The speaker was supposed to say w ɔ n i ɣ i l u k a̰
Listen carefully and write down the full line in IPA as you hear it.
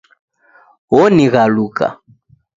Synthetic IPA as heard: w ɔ n i ɣ a l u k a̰